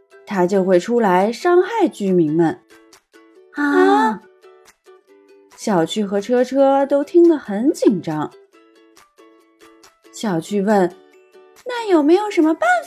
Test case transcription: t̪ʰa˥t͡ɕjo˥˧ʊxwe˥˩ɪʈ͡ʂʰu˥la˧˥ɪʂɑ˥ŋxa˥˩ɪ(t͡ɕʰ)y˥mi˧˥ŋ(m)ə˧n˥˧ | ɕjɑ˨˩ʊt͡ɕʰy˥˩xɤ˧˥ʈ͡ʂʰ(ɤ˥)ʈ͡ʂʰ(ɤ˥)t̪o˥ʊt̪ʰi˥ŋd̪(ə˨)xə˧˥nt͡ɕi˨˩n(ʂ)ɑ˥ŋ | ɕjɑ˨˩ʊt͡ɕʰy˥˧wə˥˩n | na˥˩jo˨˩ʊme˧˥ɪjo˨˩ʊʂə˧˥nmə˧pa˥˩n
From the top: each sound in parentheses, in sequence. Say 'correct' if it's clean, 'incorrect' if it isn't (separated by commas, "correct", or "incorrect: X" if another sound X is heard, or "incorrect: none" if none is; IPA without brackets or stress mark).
incorrect: t͡ɕ, correct, correct, correct, correct, incorrect: ʈ͡ʂ